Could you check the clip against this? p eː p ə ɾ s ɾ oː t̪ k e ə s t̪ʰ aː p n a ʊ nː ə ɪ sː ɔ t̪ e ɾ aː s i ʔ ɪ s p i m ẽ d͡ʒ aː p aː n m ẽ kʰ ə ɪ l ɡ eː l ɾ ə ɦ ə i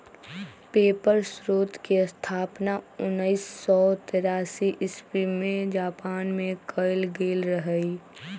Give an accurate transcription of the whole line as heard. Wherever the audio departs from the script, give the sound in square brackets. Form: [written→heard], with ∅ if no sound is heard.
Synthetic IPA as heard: p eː p ə ɾ s ɾ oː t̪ k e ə s t̪ʰ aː p n a ʊ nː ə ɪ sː ɔ t̪ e ɾ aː s i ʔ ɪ s p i m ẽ d͡ʒ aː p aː n m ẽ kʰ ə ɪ l ɡ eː l ɾ ə ɦ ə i